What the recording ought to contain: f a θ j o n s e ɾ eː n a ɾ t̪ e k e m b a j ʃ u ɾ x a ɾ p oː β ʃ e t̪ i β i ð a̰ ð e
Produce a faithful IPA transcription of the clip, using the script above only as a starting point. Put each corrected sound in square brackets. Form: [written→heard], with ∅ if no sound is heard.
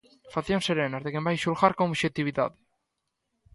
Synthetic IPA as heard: f a θ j o n s e ɾ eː n a ɾ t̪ e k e m b a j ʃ u [ɾ→l] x a ɾ [p→k] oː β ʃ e t̪ i β i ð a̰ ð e